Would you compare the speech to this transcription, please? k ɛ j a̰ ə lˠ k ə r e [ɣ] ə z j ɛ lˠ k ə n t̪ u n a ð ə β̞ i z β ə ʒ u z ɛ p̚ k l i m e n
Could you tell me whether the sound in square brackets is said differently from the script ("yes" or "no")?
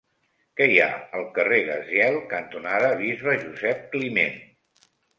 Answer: no